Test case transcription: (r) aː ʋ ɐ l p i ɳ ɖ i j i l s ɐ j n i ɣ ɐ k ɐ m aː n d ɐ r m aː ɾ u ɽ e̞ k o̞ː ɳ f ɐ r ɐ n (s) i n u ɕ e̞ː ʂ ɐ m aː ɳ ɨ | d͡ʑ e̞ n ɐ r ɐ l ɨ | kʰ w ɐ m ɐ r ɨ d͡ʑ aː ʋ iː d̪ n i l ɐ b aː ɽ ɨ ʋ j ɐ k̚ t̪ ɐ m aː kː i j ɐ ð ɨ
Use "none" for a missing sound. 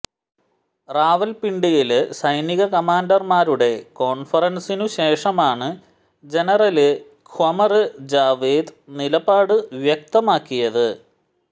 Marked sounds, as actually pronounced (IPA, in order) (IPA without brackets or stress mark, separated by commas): r, s